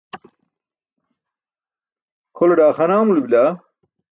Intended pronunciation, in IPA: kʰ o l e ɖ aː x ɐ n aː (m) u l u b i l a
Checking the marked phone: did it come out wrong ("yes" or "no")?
no